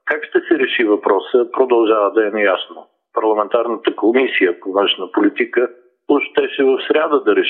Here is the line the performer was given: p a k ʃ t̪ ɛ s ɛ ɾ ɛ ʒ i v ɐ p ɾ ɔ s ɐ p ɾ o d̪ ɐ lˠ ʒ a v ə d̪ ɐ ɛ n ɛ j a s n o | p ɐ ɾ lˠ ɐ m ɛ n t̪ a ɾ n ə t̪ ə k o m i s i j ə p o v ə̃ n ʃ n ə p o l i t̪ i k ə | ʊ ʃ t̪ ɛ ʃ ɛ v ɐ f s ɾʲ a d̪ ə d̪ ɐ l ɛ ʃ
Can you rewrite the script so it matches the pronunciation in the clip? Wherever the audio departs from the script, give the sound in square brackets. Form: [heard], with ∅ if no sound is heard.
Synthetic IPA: [k] a k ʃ t̪ ɛ s ɛ ɾ ɛ [ʃ] i v ɐ p ɾ ɔ s [ə] p ɾ o d̪ ɐ lˠ ʒ a v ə d̪ ɐ ɛ n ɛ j a s n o | p ɐ ɾ lˠ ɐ m ɛ n t̪ a ɾ n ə t̪ ə k o m i s i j ə p o v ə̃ n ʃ n ə p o l i t̪ i k ə | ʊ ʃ t̪ ɛ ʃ ɛ v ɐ f s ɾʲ a d̪ ə d̪ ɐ [ɾ] ɛ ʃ